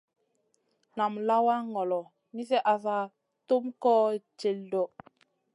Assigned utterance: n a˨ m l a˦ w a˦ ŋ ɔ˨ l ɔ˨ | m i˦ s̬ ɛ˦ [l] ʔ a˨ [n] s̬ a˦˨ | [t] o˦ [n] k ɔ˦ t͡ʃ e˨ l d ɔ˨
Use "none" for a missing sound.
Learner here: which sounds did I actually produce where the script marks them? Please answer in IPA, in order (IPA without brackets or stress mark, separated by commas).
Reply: none, none, t, m